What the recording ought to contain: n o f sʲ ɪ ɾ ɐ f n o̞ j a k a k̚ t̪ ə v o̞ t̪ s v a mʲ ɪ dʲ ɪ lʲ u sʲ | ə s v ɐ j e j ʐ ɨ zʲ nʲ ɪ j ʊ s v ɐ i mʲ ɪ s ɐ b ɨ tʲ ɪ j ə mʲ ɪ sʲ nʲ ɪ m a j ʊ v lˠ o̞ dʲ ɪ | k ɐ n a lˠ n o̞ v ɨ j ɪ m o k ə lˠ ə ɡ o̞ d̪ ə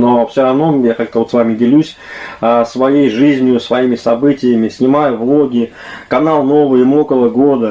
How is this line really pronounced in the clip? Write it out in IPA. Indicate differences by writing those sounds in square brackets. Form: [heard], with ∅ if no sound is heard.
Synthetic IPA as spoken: n o f sʲ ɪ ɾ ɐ [v] n o̞ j a k a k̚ t̪ ə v o̞ t̪ s v a mʲ ɪ dʲ ɪ lʲ u sʲ | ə s v ɐ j e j ʐ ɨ zʲ nʲ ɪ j ʊ s v ɐ i mʲ ɪ s ɐ b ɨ tʲ ɪ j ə mʲ ɪ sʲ nʲ ɪ m a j ʊ v lˠ o̞ [ɡʲ] ɪ | k ɐ n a lˠ n o̞ v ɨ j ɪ m o k ə lˠ ə ɡ o̞ d̪ ə